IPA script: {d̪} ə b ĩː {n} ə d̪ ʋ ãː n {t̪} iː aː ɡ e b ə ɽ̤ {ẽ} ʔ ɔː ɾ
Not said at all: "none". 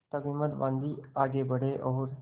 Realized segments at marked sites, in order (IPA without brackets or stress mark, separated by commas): t̪, m, d̪, e